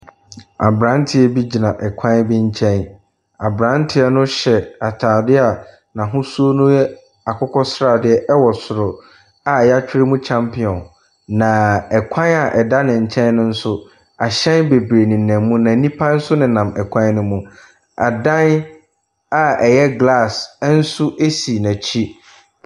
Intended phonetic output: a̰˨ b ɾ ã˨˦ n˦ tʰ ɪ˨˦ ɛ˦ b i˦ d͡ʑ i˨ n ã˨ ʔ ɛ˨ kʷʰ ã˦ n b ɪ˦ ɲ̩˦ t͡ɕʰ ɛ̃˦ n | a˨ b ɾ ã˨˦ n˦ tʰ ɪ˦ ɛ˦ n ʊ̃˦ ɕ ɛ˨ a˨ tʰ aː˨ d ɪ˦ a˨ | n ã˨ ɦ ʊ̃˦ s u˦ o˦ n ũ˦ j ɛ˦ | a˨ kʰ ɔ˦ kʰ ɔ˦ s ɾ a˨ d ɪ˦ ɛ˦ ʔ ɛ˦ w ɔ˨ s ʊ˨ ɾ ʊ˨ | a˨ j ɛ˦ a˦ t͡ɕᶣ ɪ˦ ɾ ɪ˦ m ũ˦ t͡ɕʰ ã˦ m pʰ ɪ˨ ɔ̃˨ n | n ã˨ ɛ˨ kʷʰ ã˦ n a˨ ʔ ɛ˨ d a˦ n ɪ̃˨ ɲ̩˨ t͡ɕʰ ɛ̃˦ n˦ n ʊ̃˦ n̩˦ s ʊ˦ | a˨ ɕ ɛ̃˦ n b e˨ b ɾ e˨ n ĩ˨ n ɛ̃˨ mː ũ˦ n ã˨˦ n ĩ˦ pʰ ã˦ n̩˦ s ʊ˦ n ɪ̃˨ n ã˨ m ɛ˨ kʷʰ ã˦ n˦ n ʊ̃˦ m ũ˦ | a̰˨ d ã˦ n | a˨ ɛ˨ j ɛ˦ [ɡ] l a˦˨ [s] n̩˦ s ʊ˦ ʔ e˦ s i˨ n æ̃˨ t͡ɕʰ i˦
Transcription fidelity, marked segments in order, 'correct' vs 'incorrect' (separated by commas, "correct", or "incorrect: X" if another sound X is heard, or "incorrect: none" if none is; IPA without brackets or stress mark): correct, correct